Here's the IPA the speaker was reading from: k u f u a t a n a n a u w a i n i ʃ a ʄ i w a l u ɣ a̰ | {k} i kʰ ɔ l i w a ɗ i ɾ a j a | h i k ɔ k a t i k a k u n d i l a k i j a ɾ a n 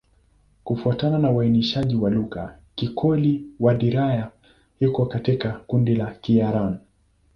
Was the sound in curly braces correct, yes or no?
yes